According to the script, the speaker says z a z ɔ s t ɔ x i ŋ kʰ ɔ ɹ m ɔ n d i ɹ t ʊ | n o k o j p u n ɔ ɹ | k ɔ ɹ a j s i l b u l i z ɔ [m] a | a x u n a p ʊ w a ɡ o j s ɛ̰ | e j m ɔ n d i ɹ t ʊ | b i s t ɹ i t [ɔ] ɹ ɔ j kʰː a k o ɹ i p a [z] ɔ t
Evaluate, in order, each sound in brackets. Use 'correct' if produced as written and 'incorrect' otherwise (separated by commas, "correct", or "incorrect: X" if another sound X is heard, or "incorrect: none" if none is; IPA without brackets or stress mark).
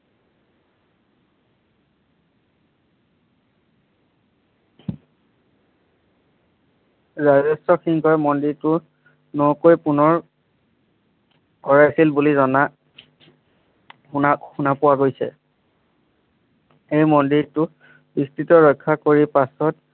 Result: incorrect: n, correct, incorrect: s